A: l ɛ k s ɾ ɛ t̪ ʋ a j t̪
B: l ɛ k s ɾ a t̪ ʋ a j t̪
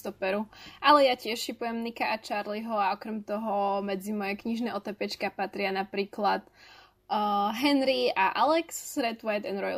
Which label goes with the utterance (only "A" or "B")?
A